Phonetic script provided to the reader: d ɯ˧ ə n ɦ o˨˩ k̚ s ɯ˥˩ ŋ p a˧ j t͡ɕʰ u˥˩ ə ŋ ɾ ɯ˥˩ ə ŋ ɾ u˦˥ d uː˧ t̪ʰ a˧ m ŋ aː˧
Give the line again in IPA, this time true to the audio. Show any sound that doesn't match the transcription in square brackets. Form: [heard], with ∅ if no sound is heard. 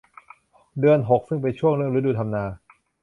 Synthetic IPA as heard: d ɯ˧ ə n ɦ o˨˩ k̚ s ɯ˥˩ ŋ p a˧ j t͡ɕʰ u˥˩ ə ŋ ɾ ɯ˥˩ ə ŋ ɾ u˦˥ d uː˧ t̪ʰ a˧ m [n] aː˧